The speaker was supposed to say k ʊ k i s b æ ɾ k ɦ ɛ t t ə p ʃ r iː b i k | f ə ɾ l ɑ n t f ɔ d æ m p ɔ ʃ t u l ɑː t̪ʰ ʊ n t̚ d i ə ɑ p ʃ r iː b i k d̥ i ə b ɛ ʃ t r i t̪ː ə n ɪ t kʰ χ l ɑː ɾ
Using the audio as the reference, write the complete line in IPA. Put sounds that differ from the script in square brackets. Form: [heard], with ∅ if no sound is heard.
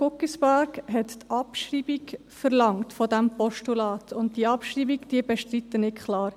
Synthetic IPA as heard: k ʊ k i s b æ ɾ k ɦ ɛ t t [ɑ] p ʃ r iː b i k | f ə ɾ l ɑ [ŋ] t f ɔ d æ m p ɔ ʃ t u l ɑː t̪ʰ ʊ n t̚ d i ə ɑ p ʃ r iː b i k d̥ i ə b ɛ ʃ t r i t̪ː ə n ɪ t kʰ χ l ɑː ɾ